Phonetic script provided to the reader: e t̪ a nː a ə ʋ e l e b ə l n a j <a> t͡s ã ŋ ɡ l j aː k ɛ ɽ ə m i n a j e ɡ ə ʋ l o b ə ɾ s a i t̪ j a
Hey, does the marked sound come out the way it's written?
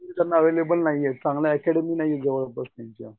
no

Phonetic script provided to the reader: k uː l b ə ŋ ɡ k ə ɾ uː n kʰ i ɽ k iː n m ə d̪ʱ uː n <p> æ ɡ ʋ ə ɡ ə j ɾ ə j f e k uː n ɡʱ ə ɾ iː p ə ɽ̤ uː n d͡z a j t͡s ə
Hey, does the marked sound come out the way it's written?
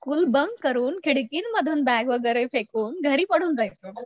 no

